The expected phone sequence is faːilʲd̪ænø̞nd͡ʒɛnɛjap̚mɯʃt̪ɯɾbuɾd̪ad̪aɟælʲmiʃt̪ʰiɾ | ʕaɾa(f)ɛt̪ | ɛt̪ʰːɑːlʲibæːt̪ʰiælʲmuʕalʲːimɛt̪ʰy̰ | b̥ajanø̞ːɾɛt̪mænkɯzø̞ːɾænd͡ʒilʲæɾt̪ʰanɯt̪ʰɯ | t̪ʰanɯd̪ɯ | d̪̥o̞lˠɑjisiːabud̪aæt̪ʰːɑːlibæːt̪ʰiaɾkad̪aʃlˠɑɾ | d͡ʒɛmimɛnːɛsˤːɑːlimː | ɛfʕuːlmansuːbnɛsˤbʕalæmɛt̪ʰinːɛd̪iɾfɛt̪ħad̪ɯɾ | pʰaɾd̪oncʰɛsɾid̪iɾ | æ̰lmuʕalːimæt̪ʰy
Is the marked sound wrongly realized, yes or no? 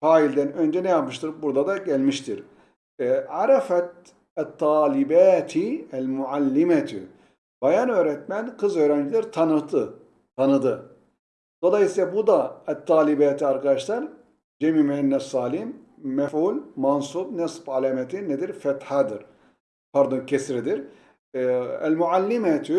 no